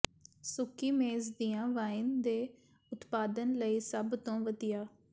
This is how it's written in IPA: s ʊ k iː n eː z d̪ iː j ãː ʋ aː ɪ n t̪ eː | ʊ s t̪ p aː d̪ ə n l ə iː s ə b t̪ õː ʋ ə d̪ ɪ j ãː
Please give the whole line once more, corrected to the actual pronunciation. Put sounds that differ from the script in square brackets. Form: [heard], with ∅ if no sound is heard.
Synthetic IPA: s ʊ k iː [m] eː z d̪ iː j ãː ʋ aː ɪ n [d̪] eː | ʊ [∅] t̪ p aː d̪ ə n l ə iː s ə b t̪ õː ʋ ə d̪ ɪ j [aː]